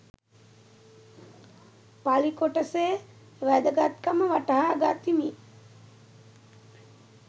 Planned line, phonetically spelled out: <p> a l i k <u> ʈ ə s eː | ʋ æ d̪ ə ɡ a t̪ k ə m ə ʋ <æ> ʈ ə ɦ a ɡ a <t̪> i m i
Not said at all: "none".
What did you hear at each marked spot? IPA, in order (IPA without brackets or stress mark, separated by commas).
p, o, a, t̪